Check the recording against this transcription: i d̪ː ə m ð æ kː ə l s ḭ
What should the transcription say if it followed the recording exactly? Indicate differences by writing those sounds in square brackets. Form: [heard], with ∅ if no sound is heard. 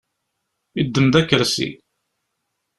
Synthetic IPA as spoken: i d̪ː ə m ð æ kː ə [ɾ] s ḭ